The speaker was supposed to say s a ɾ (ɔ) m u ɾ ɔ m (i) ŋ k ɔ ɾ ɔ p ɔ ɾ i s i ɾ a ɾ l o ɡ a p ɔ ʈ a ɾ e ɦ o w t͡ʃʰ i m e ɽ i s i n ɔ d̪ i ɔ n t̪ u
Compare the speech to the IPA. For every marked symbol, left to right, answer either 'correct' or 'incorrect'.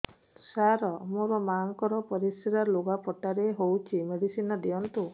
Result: correct, incorrect

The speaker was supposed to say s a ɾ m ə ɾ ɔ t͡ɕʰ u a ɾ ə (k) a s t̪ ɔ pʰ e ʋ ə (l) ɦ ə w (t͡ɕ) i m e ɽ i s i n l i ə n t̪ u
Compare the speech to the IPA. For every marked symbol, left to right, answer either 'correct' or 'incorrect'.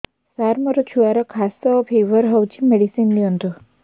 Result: incorrect, incorrect, correct

